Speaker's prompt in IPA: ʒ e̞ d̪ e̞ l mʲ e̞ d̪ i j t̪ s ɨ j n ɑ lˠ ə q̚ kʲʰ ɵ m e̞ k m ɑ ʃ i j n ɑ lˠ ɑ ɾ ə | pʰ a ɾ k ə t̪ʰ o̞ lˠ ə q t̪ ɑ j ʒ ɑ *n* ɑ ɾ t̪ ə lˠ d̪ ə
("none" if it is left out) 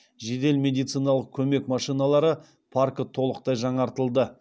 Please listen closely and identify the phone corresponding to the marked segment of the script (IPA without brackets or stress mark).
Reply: ɴ